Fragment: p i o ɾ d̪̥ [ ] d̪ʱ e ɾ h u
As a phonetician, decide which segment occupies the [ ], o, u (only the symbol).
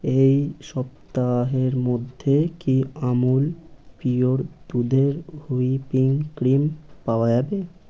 u